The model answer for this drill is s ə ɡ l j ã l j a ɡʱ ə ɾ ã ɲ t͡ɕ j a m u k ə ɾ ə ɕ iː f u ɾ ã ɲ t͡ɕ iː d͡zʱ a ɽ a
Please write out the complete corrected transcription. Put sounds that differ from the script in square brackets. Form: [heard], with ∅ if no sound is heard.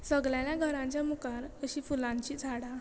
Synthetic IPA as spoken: s ə ɡ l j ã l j a ɡʱ ə ɾ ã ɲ t͡ɕ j a m u k [a] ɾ ə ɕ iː f u [l] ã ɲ t͡ɕ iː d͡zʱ a ɽ a